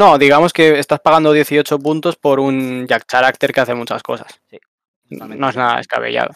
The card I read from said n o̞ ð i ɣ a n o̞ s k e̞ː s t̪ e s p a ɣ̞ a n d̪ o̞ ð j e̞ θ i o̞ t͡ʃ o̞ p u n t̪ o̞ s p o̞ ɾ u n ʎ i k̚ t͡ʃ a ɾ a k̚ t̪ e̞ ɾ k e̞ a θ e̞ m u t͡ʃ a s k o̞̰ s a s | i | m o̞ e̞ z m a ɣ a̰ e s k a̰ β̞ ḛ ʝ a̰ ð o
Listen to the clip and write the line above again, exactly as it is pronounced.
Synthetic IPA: n o̞ ð i ɣ a m o̞ s k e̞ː s t̪ a s p a ɣ̞ a n d̪ o̞ ð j e̞ θ i o̞ t͡ʃ o̞ p u n t̪ o̞ s p o̞ ɾ u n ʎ a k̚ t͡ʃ a ɾ a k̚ t̪ e̞ ɾ k e̞ a θ e̞ m u t͡ʃ a s k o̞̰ s a s | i | n o̞ e̞ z n a ð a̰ e s k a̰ β̞ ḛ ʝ a̰ ð o